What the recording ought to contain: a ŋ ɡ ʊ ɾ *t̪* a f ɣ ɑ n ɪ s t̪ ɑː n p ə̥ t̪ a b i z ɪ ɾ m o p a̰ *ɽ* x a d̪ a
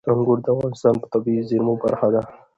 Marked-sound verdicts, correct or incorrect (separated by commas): incorrect, incorrect